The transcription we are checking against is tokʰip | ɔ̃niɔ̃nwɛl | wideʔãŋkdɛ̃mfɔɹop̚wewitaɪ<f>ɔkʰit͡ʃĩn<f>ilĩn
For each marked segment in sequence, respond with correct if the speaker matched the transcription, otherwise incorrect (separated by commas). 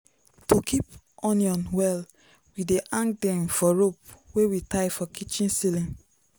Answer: correct, incorrect